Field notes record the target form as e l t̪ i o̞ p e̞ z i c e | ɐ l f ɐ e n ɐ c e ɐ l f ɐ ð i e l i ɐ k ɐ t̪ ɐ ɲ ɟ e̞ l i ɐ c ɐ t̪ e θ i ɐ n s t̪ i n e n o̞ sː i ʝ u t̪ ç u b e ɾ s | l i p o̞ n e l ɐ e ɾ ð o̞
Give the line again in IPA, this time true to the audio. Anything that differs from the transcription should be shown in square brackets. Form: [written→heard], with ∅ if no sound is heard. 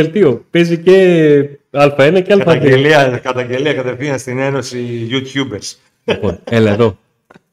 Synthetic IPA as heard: e l t̪ i o̞ p e̞ z i c e | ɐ l f ɐ e n ɐ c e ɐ l f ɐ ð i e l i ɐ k ɐ t̪ ɐ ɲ ɟ e̞ l i ɐ [c→k] ɐ t̪ e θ i ɐ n s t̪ i n e n o̞ [sː→s] i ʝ u t̪ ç u b e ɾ s | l i p o̞ n e l ɐ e [ɾ→∅] ð o̞